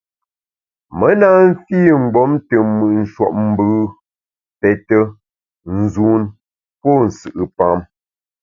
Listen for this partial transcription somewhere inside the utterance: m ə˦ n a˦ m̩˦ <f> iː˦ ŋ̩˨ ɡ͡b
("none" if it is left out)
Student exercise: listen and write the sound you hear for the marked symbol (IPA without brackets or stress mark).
f